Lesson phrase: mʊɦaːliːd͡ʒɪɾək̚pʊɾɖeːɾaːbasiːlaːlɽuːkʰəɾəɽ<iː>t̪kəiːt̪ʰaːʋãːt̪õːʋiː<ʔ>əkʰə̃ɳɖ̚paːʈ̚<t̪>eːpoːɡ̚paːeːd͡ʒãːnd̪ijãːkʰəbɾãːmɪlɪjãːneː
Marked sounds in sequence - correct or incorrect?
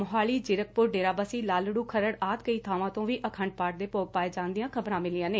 incorrect, correct, incorrect

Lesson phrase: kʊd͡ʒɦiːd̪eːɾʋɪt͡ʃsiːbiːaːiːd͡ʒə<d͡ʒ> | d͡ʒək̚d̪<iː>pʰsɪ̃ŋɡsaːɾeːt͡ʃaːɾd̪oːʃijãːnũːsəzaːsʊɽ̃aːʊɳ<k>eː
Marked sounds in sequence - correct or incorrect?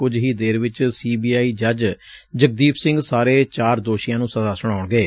correct, correct, incorrect

